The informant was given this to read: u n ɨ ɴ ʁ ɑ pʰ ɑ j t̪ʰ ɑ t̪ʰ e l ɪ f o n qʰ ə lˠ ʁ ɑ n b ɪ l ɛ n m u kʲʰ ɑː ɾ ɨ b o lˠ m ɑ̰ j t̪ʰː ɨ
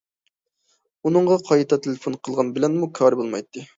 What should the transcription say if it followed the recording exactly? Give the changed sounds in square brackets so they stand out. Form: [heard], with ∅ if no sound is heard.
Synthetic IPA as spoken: u n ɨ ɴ ʁ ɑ [qʰ] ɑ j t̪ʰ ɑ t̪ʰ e l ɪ f o n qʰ ə lˠ ʁ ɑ n b ɪ l ɛ n m u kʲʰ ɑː ɾ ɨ b o lˠ m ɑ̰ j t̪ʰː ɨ